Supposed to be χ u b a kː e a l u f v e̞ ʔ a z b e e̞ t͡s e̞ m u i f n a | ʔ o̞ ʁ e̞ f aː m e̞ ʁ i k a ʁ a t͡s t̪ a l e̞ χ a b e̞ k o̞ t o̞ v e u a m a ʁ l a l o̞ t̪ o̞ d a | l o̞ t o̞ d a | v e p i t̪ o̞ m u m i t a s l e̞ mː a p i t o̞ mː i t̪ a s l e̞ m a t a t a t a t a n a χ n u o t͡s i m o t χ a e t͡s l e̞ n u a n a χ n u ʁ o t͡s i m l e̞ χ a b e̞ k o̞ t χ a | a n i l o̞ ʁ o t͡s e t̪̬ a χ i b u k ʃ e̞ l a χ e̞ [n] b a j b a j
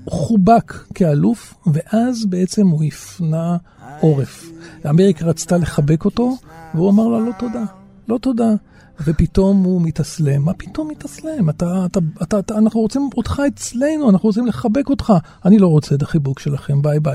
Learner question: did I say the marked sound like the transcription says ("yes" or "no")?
no